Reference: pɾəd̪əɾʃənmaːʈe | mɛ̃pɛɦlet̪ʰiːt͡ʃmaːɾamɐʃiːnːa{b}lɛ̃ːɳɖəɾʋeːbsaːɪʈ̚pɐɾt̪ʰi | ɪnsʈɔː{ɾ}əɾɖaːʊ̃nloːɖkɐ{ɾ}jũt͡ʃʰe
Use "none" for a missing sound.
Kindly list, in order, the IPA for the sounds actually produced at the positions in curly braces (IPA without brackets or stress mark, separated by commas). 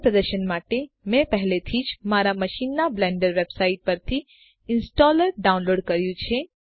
b, l, ɾ